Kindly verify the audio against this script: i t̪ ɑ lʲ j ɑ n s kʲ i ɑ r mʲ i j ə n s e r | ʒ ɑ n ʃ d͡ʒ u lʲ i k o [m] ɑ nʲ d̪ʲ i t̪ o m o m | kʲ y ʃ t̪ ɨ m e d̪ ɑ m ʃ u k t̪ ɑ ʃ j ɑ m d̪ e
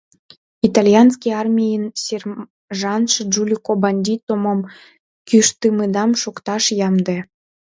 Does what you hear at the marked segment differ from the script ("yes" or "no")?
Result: yes